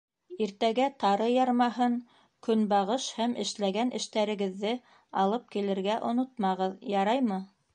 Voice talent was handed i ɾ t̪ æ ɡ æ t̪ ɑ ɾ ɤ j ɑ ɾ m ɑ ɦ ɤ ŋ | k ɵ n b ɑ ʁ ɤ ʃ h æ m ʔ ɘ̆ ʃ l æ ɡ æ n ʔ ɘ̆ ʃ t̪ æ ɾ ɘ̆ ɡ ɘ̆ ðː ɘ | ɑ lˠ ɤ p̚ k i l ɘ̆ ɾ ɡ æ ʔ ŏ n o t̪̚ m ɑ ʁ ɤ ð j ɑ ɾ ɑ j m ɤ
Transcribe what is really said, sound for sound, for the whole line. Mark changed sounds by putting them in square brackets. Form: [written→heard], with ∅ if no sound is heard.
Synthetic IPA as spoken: i ɾ t̪ æ ɡ æ t̪ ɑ ɾ ɤ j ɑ ɾ m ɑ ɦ ɤ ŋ | k ɵ n b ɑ ʁ ɤ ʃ h æ m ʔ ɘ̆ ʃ l æ ɡ æ n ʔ ɘ̆ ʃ t̪ æ ɾ ɘ̆ ɡ ɘ̆ ðː ɘ | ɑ lˠ ɤ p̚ k i l ɘ̆ ɾ ɡ æ ʔ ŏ n o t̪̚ m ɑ ʁ ɤ ð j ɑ ɾ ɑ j m ɤ